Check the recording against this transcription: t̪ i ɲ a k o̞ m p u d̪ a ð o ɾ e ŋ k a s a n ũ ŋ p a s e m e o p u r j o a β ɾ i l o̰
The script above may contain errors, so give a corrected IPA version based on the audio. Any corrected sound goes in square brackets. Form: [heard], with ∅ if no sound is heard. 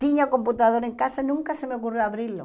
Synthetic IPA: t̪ i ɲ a k o̞ m p u [t̪] a ð o ɾ e ŋ k a s a n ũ ŋ [k] a s e m e o [k] u r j o a β ɾ i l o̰